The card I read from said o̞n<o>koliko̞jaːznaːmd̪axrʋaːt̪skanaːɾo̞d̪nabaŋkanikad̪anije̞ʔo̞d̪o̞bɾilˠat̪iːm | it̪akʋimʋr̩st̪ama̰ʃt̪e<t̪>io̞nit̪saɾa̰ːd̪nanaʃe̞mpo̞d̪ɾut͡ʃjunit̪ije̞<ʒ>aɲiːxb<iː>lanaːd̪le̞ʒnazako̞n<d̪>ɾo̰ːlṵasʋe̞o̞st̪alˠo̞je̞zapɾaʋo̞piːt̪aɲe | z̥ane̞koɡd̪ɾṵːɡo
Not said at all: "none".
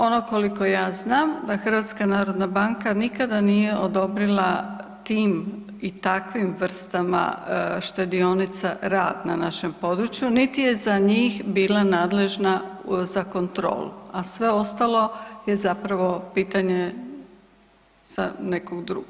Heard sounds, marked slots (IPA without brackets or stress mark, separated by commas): o, d̪, z, iː, t̪